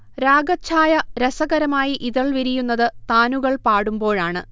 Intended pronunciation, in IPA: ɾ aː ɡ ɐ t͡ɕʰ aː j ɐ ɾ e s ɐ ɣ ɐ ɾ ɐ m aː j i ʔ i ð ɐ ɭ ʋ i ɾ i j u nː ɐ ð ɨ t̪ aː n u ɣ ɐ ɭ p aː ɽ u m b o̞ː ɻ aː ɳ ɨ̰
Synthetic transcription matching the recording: ɾ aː ɡ ɐ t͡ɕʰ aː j ɐ ɾ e s ɐ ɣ ɐ ɾ ɐ m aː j i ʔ i ð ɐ ɭ ʋ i ɾ i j u nː ɐ ð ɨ t̪ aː n u ɣ ɐ ɭ p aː ɽ u m b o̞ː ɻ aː ɳ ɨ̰